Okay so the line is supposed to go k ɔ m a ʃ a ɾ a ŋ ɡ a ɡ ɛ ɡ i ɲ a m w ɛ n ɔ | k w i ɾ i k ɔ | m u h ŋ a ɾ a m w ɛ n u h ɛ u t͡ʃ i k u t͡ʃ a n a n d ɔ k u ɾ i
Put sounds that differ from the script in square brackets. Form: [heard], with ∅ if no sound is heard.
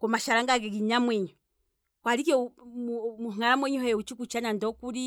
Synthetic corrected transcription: k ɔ m a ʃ a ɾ a ŋ ɡ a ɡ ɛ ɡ i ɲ a m w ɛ [ɲ] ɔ | k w [a] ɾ i k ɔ | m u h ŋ a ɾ a m w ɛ [ɲ] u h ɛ u t͡ʃ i k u t͡ʃ a n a n d ɔ k u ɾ i